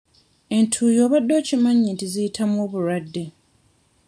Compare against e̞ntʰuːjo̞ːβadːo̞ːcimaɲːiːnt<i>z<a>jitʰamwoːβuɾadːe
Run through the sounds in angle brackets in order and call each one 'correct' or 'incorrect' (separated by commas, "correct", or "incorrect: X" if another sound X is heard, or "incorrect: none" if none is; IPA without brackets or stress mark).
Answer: correct, incorrect: i